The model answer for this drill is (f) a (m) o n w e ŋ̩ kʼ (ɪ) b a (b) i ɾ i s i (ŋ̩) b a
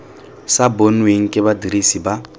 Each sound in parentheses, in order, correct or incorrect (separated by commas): incorrect, incorrect, correct, incorrect, incorrect